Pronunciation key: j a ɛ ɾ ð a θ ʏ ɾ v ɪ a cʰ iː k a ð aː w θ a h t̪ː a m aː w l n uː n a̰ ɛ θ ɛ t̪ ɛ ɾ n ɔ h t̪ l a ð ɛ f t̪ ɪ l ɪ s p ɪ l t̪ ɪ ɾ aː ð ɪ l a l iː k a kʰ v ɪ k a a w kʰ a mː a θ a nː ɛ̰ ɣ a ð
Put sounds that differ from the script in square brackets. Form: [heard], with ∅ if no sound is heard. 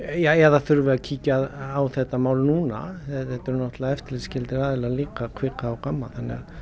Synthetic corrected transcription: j a ɛ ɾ ð a θ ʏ ɾ v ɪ a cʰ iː [c] a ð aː w θ [ɛ] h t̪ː a m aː w l n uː n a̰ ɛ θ ɛ t̪ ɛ ɾ n ɔ h t̪ l a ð ɛ f t̪ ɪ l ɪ s [c] ɪ l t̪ ɪ ɾ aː ð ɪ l a l iː k a kʰ v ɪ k a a w [k] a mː a θ a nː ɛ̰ ɣ a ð